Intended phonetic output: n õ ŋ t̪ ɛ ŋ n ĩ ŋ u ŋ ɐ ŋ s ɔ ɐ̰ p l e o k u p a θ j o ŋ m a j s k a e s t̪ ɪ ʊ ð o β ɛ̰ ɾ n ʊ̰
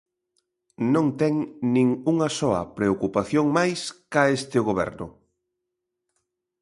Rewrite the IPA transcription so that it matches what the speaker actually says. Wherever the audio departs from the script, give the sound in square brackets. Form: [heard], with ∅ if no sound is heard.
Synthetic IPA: n õ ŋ t̪ ɛ ŋ n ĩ ŋ u ŋ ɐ [∅] s ɔ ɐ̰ p [ɾ] e o k u p a θ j o ŋ m a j s k a e s t̪ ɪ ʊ [ɣ] o β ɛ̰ ɾ n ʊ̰